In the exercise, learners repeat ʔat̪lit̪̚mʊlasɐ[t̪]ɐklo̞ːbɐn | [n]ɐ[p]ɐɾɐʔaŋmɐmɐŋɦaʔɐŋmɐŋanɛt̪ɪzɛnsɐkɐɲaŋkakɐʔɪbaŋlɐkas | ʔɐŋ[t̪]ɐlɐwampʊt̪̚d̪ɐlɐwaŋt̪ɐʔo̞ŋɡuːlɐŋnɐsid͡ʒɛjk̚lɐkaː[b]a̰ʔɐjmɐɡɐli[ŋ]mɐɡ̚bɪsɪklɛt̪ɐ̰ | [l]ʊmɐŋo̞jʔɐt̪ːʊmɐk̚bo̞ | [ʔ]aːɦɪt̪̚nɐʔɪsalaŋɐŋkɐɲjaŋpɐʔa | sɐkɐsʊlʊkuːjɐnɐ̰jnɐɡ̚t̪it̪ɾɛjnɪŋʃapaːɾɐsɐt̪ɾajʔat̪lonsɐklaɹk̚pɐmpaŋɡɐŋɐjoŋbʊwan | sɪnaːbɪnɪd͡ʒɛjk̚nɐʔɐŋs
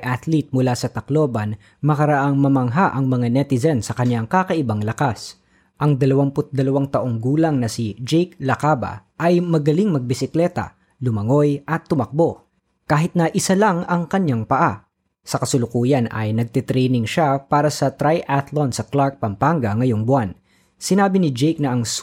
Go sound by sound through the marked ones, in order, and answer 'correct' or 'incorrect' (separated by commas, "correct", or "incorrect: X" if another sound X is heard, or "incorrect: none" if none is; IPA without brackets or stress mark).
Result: correct, incorrect: m, incorrect: k, incorrect: d̪, correct, correct, correct, incorrect: k